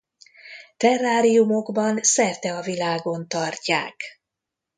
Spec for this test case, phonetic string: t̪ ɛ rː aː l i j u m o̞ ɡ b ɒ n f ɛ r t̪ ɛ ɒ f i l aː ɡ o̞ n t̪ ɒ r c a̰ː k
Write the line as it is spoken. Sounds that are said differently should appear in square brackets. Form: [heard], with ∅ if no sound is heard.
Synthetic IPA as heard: t̪ ɛ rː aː [ɾ] i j u m o̞ ɡ b ɒ n [s] ɛ r t̪ ɛ ɒ [v] i l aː ɡ o̞ n t̪ ɒ r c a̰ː k